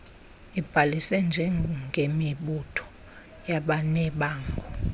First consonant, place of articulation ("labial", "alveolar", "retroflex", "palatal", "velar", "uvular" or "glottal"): labial